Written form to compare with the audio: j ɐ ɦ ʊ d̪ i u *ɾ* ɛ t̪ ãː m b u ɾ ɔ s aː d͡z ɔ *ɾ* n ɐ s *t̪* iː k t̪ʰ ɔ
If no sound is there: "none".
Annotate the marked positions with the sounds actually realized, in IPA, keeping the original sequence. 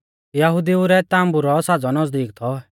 ɾ, none, d̪

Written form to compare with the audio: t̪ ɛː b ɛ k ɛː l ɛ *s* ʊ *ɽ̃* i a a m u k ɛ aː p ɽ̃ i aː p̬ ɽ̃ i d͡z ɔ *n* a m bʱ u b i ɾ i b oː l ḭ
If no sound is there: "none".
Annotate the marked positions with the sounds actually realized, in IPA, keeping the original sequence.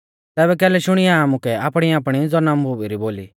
ʃ, ɽ̃, n

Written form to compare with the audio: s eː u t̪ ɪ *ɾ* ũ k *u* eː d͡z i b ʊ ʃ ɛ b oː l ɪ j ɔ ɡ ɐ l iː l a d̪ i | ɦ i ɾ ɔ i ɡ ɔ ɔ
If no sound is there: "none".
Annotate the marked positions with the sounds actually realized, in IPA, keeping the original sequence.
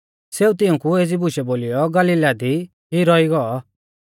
none, u

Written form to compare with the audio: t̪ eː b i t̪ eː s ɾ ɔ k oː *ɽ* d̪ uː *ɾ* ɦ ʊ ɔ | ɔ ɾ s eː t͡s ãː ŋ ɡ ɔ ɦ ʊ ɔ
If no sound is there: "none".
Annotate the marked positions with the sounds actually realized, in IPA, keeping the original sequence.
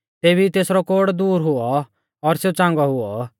ɽ, ɾ

